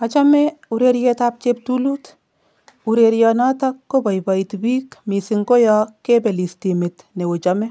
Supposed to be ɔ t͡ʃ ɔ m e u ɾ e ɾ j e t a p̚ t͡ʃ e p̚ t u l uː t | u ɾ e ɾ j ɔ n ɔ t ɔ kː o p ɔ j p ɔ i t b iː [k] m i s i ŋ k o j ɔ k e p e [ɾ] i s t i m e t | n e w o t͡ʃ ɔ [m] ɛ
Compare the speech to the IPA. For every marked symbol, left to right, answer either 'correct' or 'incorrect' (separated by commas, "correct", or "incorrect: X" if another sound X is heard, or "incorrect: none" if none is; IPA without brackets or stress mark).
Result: correct, incorrect: l, correct